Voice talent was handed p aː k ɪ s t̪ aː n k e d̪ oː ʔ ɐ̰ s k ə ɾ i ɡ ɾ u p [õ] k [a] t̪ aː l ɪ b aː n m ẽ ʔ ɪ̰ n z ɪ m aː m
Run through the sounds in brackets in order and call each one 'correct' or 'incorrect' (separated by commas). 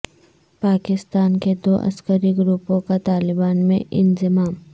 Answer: correct, correct